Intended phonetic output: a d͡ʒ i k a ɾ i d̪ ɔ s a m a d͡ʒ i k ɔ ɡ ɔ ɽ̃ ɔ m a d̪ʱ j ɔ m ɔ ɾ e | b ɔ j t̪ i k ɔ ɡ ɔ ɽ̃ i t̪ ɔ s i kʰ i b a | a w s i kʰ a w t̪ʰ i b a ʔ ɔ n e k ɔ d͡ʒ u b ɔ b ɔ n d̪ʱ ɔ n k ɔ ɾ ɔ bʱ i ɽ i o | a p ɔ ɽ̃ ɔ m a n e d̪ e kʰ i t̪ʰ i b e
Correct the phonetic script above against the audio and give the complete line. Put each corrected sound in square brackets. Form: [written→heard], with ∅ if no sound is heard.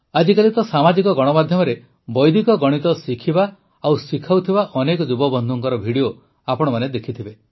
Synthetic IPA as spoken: a d͡ʒ i k a [ɾ→l] i [d̪→t̪] ɔ s a m a d͡ʒ i k ɔ ɡ ɔ ɽ̃ ɔ m a d̪ʱ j ɔ m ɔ ɾ e | b ɔ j [t̪→d̪] i k ɔ ɡ ɔ ɽ̃ i t̪ ɔ s i kʰ i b a | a w s i kʰ a w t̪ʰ i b a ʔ ɔ n e k ɔ d͡ʒ u b ɔ b ɔ n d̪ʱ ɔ [n→ŋ] k ɔ ɾ ɔ bʱ i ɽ i o | a p ɔ ɽ̃ ɔ m a n e d̪ e kʰ i t̪ʰ i b e